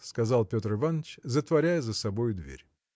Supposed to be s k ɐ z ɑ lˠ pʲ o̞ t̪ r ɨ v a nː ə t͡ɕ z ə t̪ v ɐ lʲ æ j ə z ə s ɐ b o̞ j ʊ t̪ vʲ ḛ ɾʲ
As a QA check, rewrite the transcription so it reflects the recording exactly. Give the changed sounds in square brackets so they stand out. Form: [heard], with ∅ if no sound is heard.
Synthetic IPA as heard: s k ɐ z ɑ lˠ pʲ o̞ t̪ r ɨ v a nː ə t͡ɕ z ə t̪ v ɐ [ɾʲ] æ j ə z ə s ɐ b o̞ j ʊ [d̪] vʲ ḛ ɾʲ